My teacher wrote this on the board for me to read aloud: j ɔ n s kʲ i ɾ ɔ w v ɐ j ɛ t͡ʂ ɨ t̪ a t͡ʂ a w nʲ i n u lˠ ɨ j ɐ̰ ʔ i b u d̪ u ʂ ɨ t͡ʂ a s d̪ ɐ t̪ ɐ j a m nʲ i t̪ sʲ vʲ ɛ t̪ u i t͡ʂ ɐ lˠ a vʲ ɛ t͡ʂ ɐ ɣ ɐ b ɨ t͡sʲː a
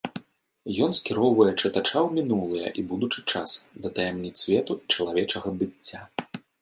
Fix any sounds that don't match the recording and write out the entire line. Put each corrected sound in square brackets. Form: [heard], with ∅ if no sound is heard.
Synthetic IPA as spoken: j ɔ n s kʲ i ɾ ɔ w v ɐ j ɛ t͡ʂ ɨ t̪ a t͡ʂ a w [mʲ] i n u lˠ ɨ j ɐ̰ ʔ i b u d̪ u [t͡ʂ] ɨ t͡ʂ a s d̪ ɐ t̪ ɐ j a m nʲ i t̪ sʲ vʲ ɛ t̪ u i t͡ʂ ɐ lˠ a vʲ ɛ t͡ʂ ɐ ɣ ɐ b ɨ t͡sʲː a